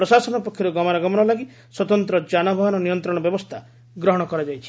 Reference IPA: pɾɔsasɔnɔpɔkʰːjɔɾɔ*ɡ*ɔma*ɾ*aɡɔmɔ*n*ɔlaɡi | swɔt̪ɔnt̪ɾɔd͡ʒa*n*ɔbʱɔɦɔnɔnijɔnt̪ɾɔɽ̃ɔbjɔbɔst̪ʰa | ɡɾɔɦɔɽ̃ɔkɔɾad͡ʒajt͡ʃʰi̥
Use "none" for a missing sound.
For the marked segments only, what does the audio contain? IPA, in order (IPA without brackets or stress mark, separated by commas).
ɡ, ɾ, n, n